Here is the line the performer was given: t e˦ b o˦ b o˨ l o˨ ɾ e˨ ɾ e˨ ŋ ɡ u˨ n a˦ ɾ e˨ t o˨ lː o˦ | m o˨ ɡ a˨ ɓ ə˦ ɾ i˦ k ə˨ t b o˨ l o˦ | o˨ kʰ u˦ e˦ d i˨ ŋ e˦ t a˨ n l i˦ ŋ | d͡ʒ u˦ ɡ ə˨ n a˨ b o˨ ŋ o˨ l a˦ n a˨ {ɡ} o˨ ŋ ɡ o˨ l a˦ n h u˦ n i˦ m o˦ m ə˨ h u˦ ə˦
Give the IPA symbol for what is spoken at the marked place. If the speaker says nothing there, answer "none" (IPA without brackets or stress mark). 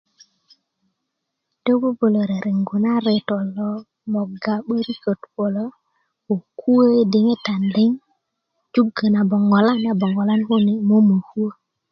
b